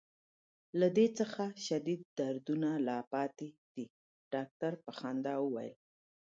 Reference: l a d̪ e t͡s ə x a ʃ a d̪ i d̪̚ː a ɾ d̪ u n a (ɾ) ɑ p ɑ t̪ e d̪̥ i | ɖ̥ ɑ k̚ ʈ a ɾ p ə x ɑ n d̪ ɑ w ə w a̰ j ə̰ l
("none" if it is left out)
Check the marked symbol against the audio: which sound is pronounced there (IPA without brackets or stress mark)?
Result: l